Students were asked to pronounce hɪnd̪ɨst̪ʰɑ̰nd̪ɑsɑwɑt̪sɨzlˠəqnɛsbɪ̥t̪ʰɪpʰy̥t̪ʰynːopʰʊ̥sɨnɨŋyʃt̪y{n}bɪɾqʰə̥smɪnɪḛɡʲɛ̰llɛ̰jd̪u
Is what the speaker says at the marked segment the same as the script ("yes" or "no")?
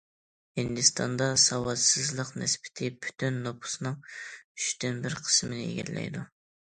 yes